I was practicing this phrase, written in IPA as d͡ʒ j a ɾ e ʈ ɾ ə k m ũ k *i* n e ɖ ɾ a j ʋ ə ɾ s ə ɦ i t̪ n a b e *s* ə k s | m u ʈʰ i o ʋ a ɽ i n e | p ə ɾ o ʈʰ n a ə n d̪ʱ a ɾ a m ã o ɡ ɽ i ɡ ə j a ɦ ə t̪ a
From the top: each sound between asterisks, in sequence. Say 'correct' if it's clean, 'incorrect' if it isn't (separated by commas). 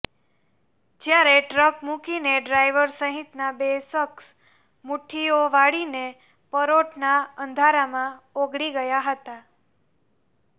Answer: correct, correct